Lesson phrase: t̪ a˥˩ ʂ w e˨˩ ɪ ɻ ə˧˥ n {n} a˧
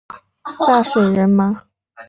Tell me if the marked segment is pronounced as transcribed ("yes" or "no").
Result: no